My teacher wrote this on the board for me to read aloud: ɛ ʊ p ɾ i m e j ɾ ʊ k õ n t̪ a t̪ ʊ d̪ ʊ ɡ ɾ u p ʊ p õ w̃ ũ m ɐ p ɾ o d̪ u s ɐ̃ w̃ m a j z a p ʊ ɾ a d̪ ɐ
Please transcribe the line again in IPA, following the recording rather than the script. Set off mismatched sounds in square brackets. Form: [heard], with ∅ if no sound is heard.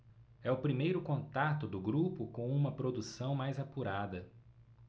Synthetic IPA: ɛ ʊ p ɾ i m e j ɾ ʊ k õ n t̪ a t̪ ʊ d̪ ʊ ɡ ɾ u p ʊ [k] õ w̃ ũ m ɐ p ɾ o d̪ u s ɐ̃ w̃ m a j z a p [u] ɾ a d̪ ɐ

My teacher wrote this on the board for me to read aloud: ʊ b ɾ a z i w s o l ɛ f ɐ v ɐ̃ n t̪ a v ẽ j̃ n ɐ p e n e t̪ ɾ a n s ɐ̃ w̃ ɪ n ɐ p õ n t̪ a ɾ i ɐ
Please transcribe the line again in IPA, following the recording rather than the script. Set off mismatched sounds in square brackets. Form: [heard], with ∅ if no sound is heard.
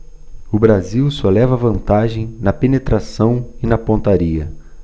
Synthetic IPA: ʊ b ɾ a z i w s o l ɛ [v] ɐ v ɐ̃ n t̪ a [ʒ] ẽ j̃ n ɐ p e n e t̪ ɾ a [∅] s ɐ̃ w̃ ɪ n ɐ p õ n t̪ a ɾ i ɐ

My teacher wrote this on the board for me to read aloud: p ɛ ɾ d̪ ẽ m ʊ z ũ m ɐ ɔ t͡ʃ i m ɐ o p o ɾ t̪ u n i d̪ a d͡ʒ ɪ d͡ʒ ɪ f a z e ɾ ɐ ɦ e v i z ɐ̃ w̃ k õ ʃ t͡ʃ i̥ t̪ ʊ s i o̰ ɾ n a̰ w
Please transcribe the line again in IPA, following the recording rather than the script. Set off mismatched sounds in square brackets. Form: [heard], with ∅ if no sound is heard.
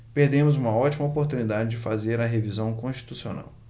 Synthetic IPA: p [e] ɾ d̪ ẽ m ʊ z ũ m ɐ ɔ t͡ʃ i m ɐ o p o ɾ t̪ u n i d̪ a d͡ʒ ɪ d͡ʒ ɪ f a z e ɾ ɐ ɦ e v i z ɐ̃ w̃ k õ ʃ t͡ʃ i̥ t̪ [u] s i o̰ [∅] n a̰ w

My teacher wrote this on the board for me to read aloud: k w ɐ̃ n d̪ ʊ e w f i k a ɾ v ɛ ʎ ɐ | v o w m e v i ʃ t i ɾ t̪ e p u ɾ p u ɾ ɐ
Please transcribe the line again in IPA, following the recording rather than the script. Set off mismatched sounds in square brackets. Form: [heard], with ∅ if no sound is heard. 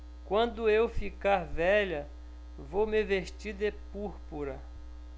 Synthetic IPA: k w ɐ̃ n d̪ ʊ e w f i k a ɾ v ɛ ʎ ɐ | v o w m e v [e] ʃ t i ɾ [d̪] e p u ɾ p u ɾ ɐ

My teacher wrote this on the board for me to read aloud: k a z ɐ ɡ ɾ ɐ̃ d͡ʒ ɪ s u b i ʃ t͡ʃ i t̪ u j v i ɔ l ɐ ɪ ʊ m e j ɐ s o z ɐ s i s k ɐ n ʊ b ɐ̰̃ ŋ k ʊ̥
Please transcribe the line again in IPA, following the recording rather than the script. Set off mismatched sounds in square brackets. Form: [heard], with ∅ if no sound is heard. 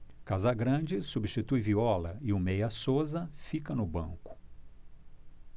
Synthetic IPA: k a z ɐ ɡ ɾ ɐ̃ d͡ʒ ɪ s u b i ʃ t͡ʃ i t̪ u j v i ɔ l ɐ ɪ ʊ m e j ɐ s o z ɐ [f] i [∅] k ɐ n ʊ b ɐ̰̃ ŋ k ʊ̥

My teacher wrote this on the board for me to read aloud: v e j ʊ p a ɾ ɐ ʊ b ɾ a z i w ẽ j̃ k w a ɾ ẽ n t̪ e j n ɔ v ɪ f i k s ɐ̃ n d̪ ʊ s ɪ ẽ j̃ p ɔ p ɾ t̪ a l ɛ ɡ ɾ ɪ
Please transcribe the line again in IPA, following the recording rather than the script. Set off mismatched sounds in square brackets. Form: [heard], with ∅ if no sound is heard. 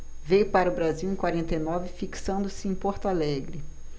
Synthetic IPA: v e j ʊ p a ɾ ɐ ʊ b ɾ a z i w ẽ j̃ k w a ɾ ẽ n t̪ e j n ɔ v ɪ f i k s ɐ̃ n d̪ ʊ s ɪ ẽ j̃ p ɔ [∅] ɾ t̪ a l ɛ ɡ ɾ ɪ

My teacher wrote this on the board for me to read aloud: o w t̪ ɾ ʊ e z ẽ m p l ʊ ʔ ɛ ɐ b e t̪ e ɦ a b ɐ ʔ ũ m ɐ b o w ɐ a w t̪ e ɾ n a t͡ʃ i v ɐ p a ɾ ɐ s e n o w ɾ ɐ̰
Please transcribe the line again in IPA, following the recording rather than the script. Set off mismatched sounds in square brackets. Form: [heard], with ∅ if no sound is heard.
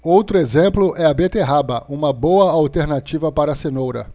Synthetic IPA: o w t̪ ɾ ʊ e z ẽ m p l ʊ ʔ ɛ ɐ b e t̪ e ɦ a b ɐ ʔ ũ m ɐ b o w ɐ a w t̪ e ɾ n a t͡ʃ i v ɐ p a ɾ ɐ s e n o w ɾ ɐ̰

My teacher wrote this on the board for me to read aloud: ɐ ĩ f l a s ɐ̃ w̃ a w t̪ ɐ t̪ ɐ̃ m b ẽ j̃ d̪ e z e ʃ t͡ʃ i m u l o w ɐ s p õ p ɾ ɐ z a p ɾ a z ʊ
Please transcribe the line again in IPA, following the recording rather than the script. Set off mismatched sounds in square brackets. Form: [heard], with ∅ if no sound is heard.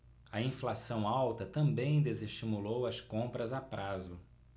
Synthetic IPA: ɐ ĩ f l a s ɐ̃ w̃ a w t̪ ɐ t̪ ɐ̃ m b ẽ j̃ d̪ e z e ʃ t͡ʃ i m u l o w ɐ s [k] õ p ɾ ɐ z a p ɾ a z ʊ

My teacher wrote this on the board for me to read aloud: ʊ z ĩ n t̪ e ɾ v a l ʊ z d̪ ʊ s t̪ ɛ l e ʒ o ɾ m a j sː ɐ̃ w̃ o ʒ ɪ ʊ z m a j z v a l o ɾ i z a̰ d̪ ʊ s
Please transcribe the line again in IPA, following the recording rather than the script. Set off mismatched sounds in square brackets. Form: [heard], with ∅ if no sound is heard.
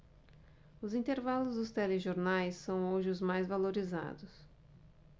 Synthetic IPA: ʊ z ĩ n t̪ e ɾ v a l ʊ z d̪ ʊ s t̪ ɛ l e ʒ o ɾ [n] a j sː ɐ̃ w̃ o ʒ ɪ ʊ z m a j z v a l o ɾ i z a̰ d̪ ʊ s

